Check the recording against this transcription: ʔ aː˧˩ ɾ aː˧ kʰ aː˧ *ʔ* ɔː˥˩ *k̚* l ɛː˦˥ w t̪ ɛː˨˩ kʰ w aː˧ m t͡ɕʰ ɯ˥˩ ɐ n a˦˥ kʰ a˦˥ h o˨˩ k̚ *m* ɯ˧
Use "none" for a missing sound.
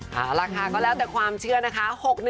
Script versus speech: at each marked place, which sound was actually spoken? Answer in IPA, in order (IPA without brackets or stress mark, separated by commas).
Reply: k, none, n